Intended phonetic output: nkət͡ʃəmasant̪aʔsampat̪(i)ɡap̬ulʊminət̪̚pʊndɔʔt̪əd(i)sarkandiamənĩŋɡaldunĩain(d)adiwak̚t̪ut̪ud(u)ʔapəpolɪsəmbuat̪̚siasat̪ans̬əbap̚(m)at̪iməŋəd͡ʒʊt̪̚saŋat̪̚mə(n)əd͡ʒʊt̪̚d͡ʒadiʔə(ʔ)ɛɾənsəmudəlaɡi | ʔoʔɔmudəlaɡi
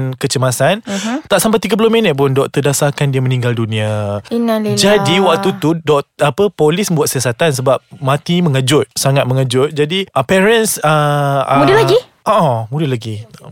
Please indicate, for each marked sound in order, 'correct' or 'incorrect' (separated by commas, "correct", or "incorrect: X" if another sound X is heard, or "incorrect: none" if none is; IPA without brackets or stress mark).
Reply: correct, incorrect: a, incorrect: d͡ʒ, incorrect: ɔ, correct, incorrect: ŋ, incorrect: p